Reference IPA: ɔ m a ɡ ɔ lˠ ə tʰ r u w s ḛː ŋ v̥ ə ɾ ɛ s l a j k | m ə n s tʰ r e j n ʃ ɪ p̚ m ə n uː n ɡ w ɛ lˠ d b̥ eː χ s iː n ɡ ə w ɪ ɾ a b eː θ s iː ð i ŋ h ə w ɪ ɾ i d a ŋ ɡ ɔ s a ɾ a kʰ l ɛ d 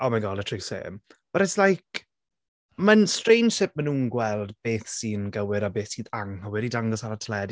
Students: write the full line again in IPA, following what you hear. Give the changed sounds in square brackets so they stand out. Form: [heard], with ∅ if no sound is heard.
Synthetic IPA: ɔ m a ɡ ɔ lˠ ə tʰ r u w s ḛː [m] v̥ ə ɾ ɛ s l a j k | m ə n s [t] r e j n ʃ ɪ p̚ m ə n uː n ɡ w ɛ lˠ d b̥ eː [θ] s iː n ɡ ə w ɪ ɾ a b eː θ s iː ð [a] ŋ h ə w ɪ ɾ i d a ŋ ɡ ɔ s a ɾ a [tʰ] l ɛ d

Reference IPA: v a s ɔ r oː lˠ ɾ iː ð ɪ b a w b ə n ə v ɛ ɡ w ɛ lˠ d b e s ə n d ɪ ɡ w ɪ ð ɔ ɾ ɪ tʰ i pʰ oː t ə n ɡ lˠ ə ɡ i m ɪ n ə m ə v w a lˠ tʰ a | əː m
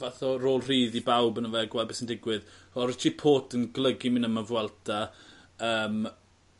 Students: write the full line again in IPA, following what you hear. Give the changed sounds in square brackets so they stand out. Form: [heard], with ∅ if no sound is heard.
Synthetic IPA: v a [θ] ɔ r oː lˠ [r] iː ð [i] b a w b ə n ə v ɛ ɡ w ɛ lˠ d b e s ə n d ɪ ɡ w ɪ ð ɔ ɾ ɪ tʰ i pʰ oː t ə n ɡ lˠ ə ɡ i m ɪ n ə m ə v w [ɛ] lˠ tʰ a | əː m

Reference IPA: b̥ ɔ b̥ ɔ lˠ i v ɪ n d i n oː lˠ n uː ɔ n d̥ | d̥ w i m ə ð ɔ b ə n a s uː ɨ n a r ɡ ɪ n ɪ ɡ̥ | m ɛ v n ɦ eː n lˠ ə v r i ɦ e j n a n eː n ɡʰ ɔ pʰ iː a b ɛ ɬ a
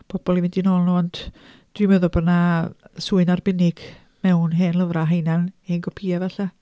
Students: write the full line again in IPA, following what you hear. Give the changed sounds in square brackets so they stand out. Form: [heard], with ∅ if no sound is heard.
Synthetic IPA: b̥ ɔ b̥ ɔ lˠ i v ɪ n d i n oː lˠ n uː ɔ n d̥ | d̥ w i m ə ð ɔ b ə n a s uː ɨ n a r [b] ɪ n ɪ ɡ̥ | m ɛ [w] n ɦ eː n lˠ ə v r [a] ɦ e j n a n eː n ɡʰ ɔ pʰ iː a [v] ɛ ɬ a

